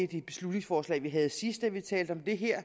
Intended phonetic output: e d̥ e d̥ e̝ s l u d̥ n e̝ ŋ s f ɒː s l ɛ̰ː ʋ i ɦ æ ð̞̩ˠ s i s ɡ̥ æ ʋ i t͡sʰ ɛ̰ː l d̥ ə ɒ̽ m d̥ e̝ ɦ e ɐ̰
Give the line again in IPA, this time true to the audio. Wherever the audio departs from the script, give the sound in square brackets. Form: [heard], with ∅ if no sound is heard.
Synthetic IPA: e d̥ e [b̥] e̝ s l u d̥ n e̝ ŋ s f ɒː s l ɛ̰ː ʋ i ɦ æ ð̞̩ˠ s i s [d̥] æ ʋ i t͡sʰ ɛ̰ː l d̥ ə ɒ̽ m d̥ e̝ ɦ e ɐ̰